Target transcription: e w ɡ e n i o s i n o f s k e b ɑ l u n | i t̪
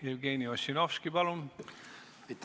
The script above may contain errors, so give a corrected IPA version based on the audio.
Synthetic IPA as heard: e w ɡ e n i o s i n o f s k i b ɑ l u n | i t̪